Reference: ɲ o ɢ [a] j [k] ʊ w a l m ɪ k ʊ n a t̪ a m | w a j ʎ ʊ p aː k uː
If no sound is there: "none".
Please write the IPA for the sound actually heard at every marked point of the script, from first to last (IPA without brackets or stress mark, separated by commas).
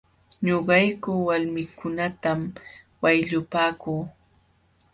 ɑ, k